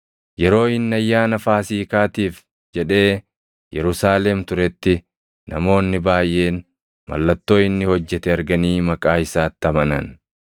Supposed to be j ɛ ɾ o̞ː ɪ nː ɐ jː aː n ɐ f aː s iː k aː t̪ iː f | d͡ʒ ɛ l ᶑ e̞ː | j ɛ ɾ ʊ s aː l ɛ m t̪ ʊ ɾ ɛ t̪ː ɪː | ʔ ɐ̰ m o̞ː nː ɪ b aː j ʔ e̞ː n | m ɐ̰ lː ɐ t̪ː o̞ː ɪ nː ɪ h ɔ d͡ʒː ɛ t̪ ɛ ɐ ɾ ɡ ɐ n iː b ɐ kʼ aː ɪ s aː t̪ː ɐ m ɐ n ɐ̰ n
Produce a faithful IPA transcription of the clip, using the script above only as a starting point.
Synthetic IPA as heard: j ɛ ɾ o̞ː ɪ nː ɐ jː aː n ɐ f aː s iː k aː t̪ iː f | d͡ʒ ɛ ᶑ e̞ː | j ɛ ɾ ʊ s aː l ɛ m t̪ ʊ ɾ ɛ t̪ː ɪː | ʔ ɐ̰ m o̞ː nː ɪ b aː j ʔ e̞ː n | m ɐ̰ lː ɐ t̪ː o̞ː ɪ nː ɪ h ɔ d͡ʒː ɛ t̪ ɛ ɐ ɾ ɡ ɐ n iː m ɐ kʼ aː ɪ s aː t̪ː ɐ m ɐ n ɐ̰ n